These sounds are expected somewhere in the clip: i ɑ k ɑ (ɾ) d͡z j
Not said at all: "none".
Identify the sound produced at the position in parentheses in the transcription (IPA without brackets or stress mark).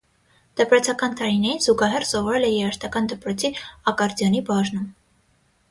ɾ